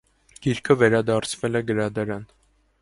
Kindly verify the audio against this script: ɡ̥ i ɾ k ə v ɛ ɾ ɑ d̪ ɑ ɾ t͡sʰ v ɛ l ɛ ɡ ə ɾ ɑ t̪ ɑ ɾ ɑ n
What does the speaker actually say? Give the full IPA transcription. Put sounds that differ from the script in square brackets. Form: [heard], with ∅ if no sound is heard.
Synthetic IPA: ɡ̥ i ɾ [kʰ] ə v ɛ ɾ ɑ d̪ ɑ ɾ t͡sʰ v ɛ l ɛ ɡ ə ɾ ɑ [d̪] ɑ ɾ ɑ n

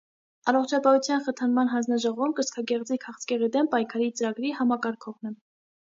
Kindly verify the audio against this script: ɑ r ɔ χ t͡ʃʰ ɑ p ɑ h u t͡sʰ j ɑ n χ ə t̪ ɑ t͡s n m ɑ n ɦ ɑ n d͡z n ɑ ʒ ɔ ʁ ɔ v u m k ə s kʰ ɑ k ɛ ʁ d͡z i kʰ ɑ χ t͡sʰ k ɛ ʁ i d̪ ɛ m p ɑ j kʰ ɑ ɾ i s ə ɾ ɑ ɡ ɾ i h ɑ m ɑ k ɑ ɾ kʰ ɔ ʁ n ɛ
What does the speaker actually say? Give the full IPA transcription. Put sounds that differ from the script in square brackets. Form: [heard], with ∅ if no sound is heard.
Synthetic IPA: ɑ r ɔ χ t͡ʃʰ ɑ p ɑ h u t͡sʰ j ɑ n χ ə [t̪ʰ] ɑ [∅] n m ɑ n ɦ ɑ n d͡z n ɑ ʒ ɔ ʁ ɔ v u m k ə s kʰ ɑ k ɛ ʁ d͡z i kʰ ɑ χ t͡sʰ k ɛ ʁ i d̪ ɛ m p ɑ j kʰ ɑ ɾ i [t͡s] ə ɾ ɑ ɡ ɾ i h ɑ m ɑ k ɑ ɾ kʰ ɔ ʁ n ɛ

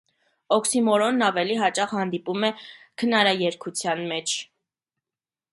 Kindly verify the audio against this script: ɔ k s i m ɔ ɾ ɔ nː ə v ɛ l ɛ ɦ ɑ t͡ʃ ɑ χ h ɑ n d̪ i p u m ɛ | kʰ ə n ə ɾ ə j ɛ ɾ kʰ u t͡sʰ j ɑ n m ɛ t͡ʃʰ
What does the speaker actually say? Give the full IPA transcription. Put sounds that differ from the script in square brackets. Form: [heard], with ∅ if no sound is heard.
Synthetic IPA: ɔ k s i m ɔ ɾ ɔ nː [ɑ] v ɛ l [i] ɦ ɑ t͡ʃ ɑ χ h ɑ n d̪ i p u m ɛ | kʰ ə n [ɑ] ɾ [ɑ] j ɛ ɾ kʰ u t͡sʰ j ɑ n m ɛ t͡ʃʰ

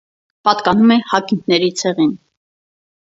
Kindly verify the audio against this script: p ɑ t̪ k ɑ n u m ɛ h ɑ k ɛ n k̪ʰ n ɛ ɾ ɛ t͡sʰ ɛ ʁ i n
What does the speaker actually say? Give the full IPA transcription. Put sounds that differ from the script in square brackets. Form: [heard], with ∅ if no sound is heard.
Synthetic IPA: p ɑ t̪ k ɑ n u m ɛ h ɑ k [i] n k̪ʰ n ɛ ɾ [i] t͡sʰ ɛ ʁ i n

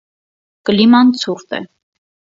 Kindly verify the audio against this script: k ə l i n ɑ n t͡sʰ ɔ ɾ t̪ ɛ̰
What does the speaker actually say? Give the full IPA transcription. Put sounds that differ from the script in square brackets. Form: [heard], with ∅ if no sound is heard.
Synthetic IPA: k ə l i [m] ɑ n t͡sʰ [u] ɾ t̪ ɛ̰

